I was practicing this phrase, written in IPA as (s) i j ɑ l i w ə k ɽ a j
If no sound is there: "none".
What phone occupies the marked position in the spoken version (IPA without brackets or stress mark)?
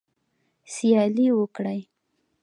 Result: s